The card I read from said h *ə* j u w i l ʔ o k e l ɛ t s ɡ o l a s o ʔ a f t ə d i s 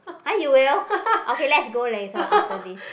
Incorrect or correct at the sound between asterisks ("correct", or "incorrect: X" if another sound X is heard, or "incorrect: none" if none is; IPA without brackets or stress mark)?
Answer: incorrect: a